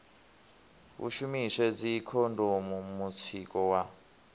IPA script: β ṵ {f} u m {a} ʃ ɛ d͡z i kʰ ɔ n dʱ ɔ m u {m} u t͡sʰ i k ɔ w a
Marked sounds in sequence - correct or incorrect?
incorrect, incorrect, correct

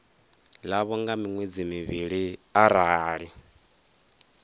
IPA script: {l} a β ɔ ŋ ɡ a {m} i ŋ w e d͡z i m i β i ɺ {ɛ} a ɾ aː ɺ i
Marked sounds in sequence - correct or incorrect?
correct, correct, incorrect

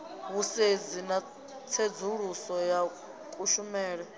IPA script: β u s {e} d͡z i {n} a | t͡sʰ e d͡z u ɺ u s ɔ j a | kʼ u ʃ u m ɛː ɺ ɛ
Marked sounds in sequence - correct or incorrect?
correct, correct

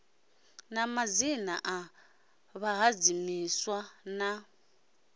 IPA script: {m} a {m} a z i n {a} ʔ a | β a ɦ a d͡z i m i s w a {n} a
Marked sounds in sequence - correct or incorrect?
incorrect, correct, correct, correct

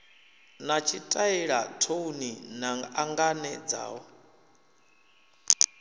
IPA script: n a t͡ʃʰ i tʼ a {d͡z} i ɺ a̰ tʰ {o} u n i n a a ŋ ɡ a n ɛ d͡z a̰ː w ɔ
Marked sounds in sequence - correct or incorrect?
incorrect, correct

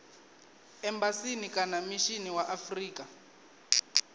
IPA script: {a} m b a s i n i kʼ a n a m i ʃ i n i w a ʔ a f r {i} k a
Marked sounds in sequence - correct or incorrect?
incorrect, incorrect

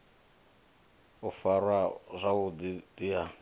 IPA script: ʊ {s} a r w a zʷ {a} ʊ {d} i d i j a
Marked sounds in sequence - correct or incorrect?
incorrect, correct, correct

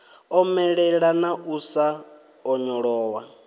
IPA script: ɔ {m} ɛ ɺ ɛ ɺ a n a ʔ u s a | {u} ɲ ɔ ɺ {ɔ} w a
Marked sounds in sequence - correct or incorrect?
correct, incorrect, incorrect

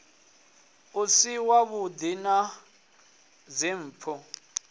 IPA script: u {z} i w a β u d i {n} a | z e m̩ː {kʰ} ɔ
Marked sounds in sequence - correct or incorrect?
incorrect, correct, incorrect

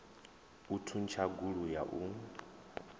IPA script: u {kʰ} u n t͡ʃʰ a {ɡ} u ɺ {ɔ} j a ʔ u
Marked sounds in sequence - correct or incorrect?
incorrect, correct, incorrect

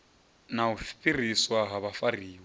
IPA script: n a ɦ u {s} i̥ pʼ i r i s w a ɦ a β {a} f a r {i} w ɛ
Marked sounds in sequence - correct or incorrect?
incorrect, correct, incorrect

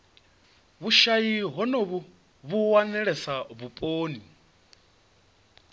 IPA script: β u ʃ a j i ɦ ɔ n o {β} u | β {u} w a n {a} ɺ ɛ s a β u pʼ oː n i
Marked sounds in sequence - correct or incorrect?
correct, correct, incorrect

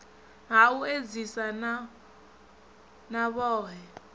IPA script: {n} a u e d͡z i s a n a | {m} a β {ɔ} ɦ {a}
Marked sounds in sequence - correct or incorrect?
incorrect, incorrect, incorrect, incorrect

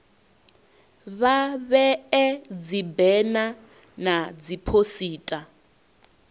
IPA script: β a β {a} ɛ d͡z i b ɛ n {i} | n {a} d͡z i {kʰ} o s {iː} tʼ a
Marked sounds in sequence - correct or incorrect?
incorrect, incorrect, correct, incorrect, correct

